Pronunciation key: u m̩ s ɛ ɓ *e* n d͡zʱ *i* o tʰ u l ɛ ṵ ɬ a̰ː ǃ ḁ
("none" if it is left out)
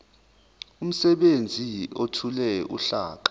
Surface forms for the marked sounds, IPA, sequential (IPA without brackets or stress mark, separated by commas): e, i